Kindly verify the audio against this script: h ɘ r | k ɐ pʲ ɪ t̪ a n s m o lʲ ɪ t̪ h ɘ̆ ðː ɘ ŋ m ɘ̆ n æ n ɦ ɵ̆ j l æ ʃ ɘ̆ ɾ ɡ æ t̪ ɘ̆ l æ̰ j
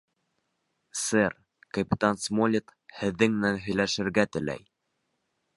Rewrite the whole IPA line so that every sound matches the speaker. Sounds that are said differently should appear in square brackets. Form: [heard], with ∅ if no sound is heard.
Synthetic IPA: [s] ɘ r | k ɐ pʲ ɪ t̪ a n s m o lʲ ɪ t̪ h ɘ̆ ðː ɘ ŋ m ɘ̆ n æ n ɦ ɵ̆ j l æ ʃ ɘ̆ ɾ ɡ æ t̪ ɘ̆ l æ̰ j